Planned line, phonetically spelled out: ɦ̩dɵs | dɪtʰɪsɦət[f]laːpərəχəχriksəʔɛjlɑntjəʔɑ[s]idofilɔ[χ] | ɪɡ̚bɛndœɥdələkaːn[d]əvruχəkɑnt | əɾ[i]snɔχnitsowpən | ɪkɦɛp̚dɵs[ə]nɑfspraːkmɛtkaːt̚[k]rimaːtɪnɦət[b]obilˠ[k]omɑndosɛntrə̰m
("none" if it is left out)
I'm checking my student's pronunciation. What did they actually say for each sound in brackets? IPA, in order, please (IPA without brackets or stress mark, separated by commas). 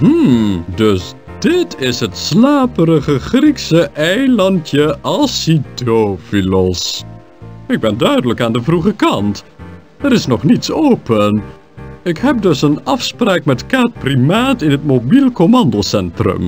s, s, s, d, ɪ, ə, p, m, k